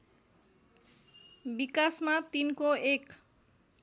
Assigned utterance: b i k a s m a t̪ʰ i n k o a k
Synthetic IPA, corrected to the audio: b i k a s m a t̪ i n k o e k

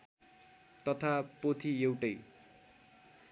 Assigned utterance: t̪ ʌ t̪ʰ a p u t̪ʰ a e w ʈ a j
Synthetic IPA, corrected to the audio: t̪ ʌ t̪ʰ a p o t̪ʰ i e w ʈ ʌ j

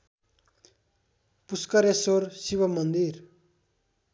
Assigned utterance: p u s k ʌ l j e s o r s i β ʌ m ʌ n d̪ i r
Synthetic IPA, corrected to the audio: p u s k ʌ ɾ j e s o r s i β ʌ m ʌ n d̪ i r

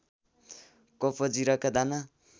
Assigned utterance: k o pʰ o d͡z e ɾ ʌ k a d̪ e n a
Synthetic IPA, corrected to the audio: k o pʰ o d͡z i ɾ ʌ k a d̪ a n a

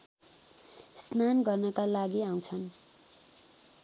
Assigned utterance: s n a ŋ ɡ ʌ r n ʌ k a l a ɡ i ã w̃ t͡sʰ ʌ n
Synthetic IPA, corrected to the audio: s n a n ɡ ʌ r n ʌ k a l a ɡ i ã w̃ t͡sʰ ʌ n

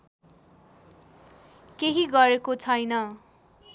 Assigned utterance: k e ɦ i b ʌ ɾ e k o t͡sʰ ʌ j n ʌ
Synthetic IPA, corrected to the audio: k e ɦ i ɡ ʌ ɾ e k o t͡sʰ ʌ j n ʌ

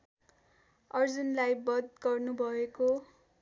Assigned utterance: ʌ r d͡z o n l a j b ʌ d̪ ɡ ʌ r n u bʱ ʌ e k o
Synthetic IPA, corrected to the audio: ʌ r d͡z u n l a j b ʌ d̪ ɡ ʌ r n u bʱ ʌ e k o

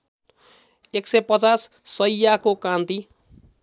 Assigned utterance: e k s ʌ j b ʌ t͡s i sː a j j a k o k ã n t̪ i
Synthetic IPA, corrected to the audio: e k s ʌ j p ʌ t͡s a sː ʌ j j a k o k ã n t̪ i

